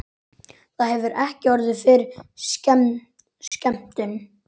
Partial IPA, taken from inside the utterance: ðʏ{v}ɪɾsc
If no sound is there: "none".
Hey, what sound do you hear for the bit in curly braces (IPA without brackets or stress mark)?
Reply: f